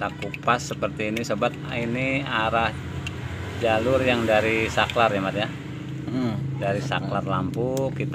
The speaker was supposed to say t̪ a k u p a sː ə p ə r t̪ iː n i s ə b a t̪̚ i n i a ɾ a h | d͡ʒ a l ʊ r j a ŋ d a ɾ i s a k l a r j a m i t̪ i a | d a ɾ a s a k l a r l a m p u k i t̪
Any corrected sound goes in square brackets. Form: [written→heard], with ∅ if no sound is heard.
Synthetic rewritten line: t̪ a k u p a sː ə p ə r t̪ iː n i s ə b a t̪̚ i n i a ɾ a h | d͡ʒ a l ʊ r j a ŋ d a ɾ i s a k l a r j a m [i→a] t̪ [i→j] a | d a ɾ [a→i] s a k l a r l a m p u k i t̪